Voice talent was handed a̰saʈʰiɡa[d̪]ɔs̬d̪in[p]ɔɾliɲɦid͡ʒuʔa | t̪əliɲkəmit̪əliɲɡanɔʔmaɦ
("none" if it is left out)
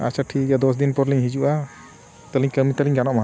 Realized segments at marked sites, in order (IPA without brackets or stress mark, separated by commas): d̪, p